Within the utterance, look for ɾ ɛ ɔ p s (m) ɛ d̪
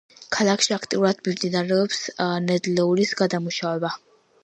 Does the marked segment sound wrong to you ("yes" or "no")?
yes